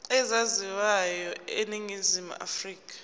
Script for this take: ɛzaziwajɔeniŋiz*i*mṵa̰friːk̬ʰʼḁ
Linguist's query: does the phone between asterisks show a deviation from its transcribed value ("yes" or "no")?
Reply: no